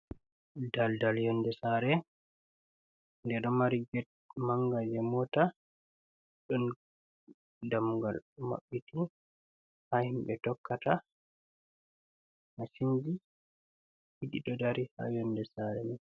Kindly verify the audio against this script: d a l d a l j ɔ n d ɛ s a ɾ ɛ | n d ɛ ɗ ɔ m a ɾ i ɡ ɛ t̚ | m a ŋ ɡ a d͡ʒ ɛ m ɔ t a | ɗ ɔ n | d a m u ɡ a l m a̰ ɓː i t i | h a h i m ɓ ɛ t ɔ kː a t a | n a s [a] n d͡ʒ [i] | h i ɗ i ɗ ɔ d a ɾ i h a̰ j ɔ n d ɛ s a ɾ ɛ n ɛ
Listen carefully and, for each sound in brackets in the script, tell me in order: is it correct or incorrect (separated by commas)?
incorrect, correct